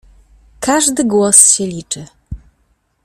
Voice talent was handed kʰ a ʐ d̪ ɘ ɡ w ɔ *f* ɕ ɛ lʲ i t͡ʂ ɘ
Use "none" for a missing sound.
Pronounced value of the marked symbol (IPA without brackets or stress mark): s